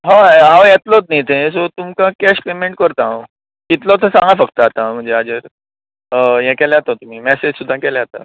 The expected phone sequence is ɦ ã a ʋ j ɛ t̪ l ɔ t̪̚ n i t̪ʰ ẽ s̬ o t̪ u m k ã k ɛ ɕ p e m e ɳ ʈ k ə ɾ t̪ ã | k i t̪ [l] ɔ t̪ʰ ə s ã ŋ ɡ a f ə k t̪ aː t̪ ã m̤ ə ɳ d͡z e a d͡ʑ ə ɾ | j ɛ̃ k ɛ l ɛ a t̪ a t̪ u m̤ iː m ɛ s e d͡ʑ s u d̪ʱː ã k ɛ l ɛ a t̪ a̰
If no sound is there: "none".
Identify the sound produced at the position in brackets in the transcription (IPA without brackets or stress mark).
l